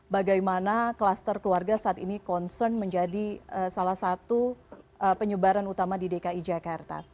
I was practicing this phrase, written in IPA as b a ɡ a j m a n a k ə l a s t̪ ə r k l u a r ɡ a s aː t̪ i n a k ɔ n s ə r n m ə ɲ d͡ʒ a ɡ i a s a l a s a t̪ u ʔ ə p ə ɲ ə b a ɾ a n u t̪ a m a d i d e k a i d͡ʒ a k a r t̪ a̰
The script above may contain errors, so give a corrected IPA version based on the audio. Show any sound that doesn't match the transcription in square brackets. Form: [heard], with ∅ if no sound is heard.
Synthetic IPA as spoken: b a ɡ a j m a n a k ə l a s t̪ ə r k l u a r ɡ a s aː t̪ i n [i] k ɔ n s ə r n m ə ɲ d͡ʒ a [d] i [ə] s a l a s a t̪ u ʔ ə p ə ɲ ə b a ɾ a n u t̪ a m a d i d e k a i d͡ʒ a k a r t̪ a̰